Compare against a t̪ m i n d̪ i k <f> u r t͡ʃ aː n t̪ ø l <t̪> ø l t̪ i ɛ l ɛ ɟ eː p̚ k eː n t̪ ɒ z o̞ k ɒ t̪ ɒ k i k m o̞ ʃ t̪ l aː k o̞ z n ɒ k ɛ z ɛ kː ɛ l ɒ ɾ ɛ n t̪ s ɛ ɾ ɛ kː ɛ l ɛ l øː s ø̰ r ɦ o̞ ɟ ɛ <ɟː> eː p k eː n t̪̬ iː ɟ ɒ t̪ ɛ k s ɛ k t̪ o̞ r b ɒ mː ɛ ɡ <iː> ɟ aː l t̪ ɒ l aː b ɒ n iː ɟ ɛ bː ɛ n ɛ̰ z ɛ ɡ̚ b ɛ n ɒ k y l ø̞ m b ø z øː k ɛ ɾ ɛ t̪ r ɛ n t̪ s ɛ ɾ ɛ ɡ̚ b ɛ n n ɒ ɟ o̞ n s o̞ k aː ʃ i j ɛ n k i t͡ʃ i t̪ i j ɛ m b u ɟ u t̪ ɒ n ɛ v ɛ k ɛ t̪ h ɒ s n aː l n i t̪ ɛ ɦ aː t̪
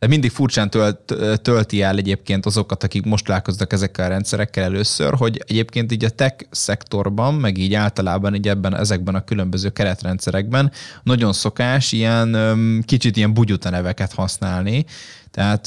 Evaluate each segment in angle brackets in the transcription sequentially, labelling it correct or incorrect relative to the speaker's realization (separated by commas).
correct, correct, incorrect, correct